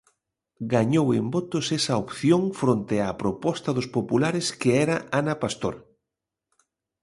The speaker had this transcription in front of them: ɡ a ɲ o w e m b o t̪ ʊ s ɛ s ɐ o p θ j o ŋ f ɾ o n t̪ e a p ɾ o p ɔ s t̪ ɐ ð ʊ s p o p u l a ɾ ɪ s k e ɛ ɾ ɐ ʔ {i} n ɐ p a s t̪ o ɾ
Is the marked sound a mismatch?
yes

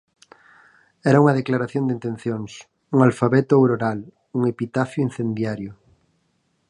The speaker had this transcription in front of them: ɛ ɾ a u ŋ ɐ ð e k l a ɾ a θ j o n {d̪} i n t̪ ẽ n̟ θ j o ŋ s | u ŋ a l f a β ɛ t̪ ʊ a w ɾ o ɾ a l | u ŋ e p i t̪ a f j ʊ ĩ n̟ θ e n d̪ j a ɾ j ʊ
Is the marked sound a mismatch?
no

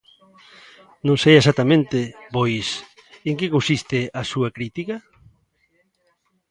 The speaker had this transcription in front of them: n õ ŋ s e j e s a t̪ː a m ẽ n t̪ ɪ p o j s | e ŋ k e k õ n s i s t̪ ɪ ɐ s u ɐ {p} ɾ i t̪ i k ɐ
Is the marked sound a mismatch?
yes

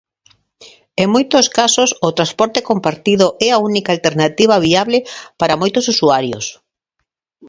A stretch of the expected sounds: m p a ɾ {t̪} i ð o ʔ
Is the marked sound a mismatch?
no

